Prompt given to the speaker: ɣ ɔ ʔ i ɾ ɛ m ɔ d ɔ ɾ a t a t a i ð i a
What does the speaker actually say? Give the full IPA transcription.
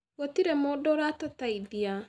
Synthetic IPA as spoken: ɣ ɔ t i ɾ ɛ m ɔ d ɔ ɾ a t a t a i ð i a